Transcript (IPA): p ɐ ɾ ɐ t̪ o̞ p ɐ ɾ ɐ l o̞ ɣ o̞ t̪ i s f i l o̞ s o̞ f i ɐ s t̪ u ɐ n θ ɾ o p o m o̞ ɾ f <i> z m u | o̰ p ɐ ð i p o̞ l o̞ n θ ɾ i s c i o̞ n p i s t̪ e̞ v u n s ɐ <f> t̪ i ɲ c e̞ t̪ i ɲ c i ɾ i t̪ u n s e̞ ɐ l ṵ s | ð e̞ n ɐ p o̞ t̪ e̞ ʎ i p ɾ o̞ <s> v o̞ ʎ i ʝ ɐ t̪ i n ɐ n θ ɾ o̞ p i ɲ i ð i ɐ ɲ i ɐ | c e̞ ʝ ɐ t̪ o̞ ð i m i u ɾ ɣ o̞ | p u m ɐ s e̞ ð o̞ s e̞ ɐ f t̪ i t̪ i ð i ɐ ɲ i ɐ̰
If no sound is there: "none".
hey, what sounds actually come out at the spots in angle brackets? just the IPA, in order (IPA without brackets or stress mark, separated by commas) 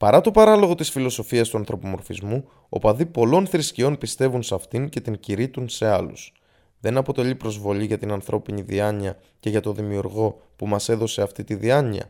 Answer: i, f, z